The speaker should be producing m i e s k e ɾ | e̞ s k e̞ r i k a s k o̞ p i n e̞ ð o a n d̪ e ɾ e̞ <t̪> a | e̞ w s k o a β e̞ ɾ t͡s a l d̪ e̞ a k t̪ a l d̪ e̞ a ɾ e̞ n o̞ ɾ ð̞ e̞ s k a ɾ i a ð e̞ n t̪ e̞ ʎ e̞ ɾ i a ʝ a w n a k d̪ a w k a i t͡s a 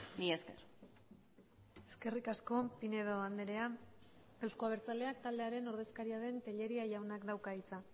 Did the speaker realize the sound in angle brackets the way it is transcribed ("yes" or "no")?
no